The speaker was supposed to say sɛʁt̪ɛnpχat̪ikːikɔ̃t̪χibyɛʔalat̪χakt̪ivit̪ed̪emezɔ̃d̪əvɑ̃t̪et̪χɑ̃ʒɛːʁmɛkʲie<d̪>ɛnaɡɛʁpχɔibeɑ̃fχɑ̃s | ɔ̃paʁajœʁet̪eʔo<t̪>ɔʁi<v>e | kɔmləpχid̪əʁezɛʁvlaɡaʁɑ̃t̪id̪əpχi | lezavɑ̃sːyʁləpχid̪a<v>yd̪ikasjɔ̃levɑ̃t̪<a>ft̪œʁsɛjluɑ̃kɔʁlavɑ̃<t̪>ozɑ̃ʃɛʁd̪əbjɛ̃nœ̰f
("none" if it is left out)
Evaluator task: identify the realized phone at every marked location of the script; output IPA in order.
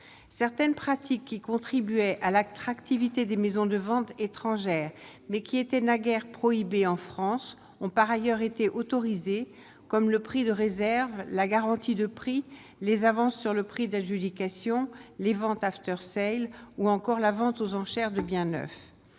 t̪, t̪, z, ʒ, a, t̪

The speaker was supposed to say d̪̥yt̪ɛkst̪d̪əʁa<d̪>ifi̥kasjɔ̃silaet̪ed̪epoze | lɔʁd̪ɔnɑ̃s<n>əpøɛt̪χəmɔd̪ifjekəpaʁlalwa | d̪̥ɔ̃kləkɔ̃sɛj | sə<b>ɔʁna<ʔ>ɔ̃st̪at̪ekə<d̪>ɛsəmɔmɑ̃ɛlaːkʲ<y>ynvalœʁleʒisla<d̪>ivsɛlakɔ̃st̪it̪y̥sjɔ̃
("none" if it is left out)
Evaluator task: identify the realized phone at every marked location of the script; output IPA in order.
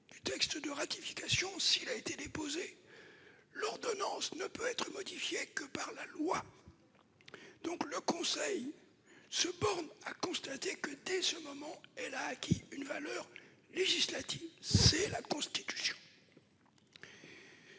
t̪, n, b, k, d̪, i, t̪

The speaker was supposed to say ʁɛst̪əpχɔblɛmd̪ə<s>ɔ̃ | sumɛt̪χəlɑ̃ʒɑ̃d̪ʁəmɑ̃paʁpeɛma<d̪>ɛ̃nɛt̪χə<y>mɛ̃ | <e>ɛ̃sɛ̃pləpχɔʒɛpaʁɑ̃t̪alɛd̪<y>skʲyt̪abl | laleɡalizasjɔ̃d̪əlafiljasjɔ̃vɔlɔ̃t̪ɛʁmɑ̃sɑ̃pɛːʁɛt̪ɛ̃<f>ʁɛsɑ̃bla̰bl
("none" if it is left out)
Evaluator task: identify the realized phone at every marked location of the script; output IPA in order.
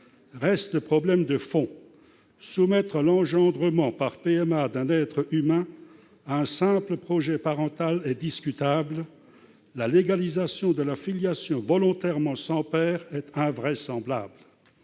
f, d̪, y, a, i, v

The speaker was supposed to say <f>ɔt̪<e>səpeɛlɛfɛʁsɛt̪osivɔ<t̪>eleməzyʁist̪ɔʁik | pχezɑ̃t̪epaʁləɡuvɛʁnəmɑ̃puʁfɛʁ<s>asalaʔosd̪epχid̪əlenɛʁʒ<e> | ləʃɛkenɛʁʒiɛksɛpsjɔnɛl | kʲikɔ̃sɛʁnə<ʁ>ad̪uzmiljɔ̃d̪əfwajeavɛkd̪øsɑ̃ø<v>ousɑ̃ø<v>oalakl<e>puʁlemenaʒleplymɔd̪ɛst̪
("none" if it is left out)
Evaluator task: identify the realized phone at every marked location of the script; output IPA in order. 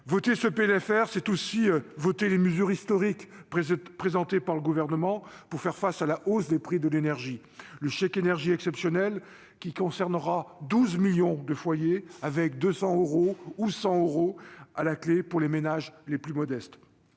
v, e, t̪, f, i, ʁ, ʁ, ʁ, e

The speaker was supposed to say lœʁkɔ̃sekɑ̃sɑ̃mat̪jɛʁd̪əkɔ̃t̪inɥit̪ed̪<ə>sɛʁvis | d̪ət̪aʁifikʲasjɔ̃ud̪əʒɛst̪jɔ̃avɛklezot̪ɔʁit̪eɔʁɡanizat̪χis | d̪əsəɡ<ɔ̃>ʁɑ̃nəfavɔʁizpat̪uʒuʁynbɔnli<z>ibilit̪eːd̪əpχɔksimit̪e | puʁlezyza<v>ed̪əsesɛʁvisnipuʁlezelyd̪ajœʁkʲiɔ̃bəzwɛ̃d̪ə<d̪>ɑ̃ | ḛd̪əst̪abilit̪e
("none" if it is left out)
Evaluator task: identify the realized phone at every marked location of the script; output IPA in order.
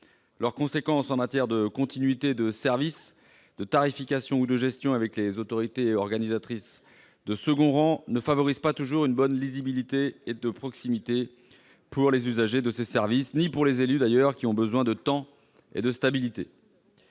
ə, ɔ̃, z, ʒ, t̪

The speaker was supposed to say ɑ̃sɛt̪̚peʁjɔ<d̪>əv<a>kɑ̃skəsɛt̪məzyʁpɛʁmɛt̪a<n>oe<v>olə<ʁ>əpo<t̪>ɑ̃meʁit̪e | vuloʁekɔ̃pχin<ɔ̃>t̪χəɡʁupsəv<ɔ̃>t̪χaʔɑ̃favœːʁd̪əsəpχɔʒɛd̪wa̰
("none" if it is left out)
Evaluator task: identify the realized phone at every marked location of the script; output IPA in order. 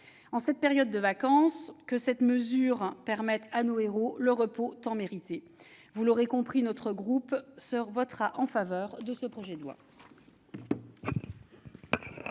d̪ː, a, n, ʁ, ʁ, t̪, ɔ, ɔ

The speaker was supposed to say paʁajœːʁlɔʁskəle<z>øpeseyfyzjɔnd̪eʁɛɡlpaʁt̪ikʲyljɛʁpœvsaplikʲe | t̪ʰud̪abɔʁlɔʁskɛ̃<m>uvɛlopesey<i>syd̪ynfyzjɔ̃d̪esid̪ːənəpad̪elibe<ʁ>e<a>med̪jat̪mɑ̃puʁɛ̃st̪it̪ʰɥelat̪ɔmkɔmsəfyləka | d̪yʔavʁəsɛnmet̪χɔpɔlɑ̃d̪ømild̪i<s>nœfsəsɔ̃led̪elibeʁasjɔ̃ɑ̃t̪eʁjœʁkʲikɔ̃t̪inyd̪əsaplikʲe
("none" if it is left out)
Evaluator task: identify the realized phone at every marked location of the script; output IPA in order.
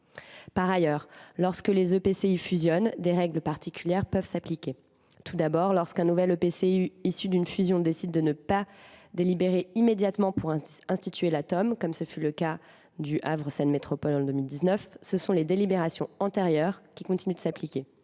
z, n, i, ʁ, i, z

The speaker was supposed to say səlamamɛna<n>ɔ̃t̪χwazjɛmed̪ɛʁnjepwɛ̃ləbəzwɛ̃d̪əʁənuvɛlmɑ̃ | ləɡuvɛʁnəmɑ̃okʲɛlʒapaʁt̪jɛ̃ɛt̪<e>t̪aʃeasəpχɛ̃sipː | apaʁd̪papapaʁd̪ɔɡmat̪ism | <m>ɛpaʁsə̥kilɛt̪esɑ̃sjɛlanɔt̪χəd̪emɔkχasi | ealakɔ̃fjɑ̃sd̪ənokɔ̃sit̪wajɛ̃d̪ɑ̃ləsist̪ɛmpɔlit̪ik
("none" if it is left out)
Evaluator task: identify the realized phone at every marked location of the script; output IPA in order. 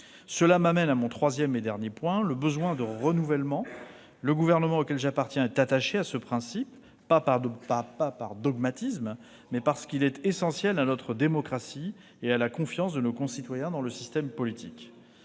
m, a, m

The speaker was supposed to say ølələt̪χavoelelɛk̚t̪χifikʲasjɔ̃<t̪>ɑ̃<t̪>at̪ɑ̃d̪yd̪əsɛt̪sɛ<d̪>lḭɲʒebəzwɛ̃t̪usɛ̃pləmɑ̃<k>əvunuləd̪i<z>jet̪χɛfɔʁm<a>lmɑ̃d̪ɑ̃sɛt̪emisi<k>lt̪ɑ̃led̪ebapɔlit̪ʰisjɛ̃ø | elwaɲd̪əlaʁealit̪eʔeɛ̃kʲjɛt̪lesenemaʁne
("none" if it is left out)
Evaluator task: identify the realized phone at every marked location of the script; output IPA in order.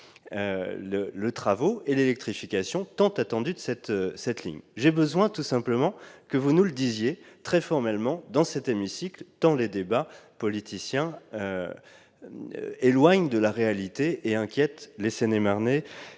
t̪, t̪, t̪, k, z, ɛ, k

